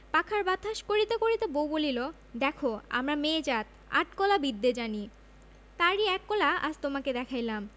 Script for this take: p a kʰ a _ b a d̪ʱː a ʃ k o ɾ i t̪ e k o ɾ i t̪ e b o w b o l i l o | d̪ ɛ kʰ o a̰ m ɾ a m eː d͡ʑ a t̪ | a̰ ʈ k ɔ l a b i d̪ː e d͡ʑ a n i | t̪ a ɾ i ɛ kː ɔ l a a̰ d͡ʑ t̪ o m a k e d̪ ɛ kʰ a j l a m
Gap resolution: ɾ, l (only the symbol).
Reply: ɾ